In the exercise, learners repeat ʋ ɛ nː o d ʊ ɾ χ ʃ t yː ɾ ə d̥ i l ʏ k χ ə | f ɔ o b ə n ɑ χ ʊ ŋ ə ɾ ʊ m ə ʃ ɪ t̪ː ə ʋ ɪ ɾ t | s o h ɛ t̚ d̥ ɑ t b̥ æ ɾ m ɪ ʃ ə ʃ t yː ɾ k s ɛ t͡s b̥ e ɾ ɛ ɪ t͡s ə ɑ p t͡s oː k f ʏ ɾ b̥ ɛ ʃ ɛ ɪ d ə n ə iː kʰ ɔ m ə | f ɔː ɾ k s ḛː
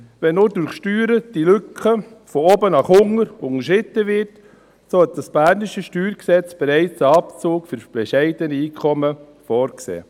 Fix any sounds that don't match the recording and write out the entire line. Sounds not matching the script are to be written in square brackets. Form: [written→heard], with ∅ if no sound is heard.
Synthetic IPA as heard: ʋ ɛ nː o d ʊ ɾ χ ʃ t yː ɾ ə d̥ i l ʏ k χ ə | f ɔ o b ə n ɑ χ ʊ ŋ ə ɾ ʊ [m→ŋ] ə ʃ ɪ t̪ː ə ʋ ɪ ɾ t | s o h ɛ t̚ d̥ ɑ [t→s] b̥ æ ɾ [m→n] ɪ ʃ ə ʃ t yː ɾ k s ɛ t͡s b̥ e ɾ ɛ ɪ t͡s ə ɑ p t͡s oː k f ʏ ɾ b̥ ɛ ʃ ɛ ɪ d ə n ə iː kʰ ɔ m ə | f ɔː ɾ k s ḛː